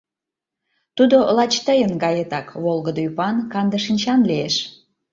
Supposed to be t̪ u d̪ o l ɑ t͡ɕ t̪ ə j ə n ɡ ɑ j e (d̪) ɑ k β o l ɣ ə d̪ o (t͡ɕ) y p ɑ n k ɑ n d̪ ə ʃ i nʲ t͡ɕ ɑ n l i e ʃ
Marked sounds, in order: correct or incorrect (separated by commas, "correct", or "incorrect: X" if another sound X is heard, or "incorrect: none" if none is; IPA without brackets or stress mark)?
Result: incorrect: t̪, incorrect: none